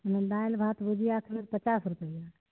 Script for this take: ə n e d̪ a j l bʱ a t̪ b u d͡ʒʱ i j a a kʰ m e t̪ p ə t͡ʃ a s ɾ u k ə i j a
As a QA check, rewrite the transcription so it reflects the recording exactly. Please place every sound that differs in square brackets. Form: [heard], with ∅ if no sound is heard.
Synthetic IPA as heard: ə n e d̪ a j l bʱ a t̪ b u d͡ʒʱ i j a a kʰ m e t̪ p ə t͡ʃ a s ɾ u [p] ə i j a